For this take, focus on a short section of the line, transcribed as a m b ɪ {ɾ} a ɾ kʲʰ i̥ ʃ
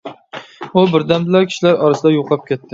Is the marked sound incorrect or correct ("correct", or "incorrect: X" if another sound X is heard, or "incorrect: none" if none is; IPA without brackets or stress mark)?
incorrect: l